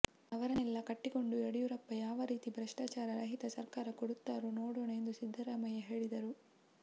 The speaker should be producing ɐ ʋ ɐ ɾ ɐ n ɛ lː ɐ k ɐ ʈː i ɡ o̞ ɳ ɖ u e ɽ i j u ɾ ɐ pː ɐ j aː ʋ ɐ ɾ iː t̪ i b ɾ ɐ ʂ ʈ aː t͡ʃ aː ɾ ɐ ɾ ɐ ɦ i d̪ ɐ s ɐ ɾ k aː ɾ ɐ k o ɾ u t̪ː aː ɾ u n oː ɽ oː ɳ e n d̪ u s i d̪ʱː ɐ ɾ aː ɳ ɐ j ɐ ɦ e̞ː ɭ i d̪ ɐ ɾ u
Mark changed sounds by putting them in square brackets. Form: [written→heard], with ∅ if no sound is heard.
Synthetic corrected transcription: ɐ ʋ ɐ ɾ ɐ n ɛ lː ɐ k ɐ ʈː i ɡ o̞ ɳ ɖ u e ɽ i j u ɾ ɐ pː ɐ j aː ʋ ɐ ɾ iː t̪ i b ɾ ɐ ʂ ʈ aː t͡ʃ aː ɾ ɐ ɾ ɐ ɦ i [d̪→t̪] ɐ s ɐ ɾ k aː ɾ ɐ k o [ɾ→ɽ] u t̪ː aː ɾ u n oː ɽ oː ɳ e n d̪ u s i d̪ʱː ɐ ɾ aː [ɳ→m] ɐ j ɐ ɦ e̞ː ɭ i d̪ ɐ ɾ u